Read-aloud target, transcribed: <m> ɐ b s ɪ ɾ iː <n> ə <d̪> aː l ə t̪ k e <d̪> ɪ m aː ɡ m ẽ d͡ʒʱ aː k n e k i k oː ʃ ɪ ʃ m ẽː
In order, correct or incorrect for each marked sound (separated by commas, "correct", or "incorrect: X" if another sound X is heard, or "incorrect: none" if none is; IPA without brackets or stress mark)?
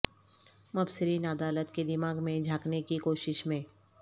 correct, correct, correct, correct